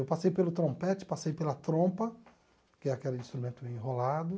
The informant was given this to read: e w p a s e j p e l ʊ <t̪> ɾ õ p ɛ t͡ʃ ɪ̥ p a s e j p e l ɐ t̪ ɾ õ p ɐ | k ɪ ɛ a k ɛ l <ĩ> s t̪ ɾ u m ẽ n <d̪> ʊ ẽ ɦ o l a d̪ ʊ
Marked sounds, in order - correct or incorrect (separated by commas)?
correct, correct, incorrect